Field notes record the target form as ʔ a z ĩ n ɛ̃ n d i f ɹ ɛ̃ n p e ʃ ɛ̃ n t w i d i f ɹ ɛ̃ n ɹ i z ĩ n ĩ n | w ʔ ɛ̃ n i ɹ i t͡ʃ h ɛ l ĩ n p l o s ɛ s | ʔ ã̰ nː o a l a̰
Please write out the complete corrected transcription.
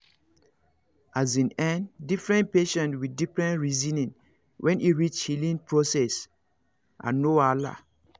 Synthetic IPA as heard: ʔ a z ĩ n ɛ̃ n d i f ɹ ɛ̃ n p e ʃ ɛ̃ n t w i d i f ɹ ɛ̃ n ɹ i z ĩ n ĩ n | w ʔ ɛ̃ n i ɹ i t͡ʃ h i l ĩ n p ɹ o s ɛ s | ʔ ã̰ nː o a l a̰